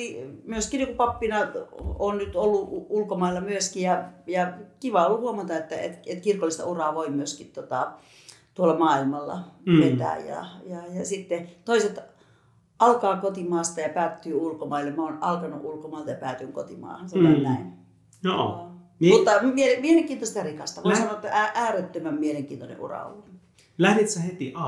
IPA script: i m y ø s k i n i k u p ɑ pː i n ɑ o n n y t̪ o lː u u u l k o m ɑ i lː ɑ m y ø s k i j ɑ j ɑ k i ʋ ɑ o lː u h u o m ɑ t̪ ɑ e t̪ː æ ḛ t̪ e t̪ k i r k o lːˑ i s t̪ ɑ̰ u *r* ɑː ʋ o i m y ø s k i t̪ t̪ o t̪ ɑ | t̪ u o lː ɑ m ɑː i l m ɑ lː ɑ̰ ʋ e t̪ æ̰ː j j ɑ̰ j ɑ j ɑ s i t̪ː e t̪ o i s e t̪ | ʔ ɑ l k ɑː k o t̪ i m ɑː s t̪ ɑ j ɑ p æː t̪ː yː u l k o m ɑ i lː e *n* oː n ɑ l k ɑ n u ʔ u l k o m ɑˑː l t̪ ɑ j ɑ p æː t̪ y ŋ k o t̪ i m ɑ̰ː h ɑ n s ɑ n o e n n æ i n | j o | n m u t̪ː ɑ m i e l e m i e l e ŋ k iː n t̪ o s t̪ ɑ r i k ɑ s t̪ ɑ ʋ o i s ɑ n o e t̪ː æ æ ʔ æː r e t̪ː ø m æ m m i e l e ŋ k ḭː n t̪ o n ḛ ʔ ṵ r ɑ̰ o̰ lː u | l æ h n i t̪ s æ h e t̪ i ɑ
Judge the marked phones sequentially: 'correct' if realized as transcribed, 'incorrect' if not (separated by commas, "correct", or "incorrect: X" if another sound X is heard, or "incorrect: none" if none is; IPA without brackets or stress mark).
correct, incorrect: m